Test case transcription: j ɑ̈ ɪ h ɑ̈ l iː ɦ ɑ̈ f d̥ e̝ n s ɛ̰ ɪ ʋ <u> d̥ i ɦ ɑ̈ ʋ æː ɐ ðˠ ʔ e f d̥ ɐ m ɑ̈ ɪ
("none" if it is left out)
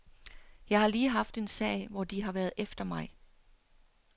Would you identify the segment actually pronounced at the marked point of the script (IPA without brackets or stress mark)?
ɒ